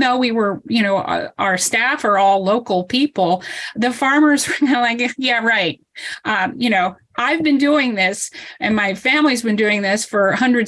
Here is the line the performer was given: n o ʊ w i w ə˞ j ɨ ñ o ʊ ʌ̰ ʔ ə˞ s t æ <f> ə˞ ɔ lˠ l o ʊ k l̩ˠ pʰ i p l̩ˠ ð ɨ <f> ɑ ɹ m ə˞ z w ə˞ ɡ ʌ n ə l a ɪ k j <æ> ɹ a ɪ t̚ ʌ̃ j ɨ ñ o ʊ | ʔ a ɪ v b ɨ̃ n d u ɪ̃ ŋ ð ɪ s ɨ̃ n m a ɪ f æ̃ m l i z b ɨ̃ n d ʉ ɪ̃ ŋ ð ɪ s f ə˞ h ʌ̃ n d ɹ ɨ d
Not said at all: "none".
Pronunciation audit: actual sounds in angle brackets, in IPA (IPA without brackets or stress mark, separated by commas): f, f, æ